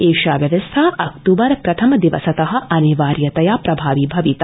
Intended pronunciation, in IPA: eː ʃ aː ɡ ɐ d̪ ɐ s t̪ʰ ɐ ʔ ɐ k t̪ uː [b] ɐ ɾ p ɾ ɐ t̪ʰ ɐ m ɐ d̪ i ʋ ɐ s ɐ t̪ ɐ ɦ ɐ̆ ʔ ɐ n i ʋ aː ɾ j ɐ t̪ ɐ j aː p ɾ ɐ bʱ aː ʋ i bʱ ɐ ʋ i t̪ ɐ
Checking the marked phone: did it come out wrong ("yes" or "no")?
no